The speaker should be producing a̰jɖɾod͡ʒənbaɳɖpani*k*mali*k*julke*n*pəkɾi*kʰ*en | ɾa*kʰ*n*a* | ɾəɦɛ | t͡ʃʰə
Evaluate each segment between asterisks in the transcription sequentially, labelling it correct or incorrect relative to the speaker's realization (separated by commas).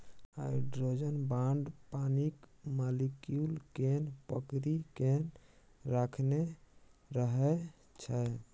correct, correct, correct, incorrect, correct, incorrect